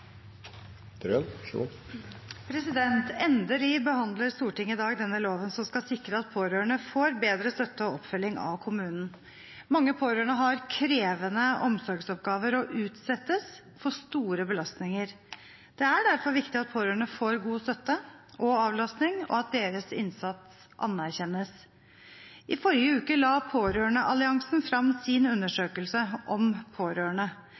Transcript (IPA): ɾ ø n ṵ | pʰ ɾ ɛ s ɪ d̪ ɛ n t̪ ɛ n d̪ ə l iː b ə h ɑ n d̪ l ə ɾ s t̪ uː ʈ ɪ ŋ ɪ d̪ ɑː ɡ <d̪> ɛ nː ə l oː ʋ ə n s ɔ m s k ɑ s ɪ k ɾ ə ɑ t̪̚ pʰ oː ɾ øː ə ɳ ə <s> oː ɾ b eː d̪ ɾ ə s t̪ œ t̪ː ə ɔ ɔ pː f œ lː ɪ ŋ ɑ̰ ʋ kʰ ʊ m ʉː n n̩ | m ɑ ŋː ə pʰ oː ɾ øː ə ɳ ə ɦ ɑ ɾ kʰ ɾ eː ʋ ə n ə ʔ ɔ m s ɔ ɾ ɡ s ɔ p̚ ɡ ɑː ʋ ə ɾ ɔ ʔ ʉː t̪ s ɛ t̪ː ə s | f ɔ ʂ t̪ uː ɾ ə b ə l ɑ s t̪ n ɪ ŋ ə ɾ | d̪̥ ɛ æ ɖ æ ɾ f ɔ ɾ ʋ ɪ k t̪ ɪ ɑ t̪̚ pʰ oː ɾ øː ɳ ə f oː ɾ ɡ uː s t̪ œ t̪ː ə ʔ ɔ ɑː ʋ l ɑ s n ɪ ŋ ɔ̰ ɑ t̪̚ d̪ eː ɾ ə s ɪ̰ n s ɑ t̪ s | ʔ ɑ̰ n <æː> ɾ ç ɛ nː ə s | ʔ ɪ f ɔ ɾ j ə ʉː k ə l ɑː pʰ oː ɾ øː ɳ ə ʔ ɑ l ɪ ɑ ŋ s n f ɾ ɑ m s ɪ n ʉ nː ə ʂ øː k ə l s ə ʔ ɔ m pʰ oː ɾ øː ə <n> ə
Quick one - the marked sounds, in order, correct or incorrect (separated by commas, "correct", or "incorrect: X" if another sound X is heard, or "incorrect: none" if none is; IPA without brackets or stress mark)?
correct, incorrect: f, incorrect: æ, incorrect: ɳ